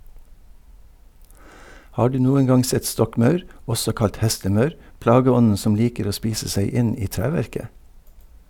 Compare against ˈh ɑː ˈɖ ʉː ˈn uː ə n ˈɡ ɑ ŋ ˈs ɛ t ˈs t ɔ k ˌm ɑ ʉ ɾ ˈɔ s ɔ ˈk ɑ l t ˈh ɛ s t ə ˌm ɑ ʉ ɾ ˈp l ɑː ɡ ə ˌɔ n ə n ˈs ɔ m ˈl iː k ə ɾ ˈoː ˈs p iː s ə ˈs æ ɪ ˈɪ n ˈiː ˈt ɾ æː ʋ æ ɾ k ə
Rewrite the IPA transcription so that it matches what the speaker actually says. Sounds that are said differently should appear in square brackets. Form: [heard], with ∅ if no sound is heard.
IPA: ˈh ɑː ˈɖ ʉː ˈn uː ə n ˈɡ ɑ ŋ ˈs ɛ t ˈs t ɔ k ˌm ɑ ʉ ɾ ˈɔ s ɔ ˈk ɑ l t ˈh ɛ s t ə ˌm ɑ ʉ ɾ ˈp l ɑː ɡ ə ˌɔ n ə n ˈs ɔ m ˈl iː k ə ɾ ˈoː ˈs p iː s ə ˈs æ ɪ ˈɪ n ˈiː ˈt ɾ æː ʋ æ ɾ k ə